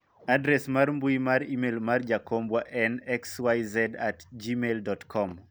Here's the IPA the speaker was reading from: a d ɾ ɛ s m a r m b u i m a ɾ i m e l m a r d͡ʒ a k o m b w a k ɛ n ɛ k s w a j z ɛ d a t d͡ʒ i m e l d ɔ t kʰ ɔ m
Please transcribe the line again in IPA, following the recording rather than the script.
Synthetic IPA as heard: a d ɾ ɛ s m a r m b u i m a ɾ i m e l m a r d͡ʒ a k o m b w a ʔ ɛ n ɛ k s w a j z ɛ d a t d͡ʒ i m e l d ɔ t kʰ ɔ m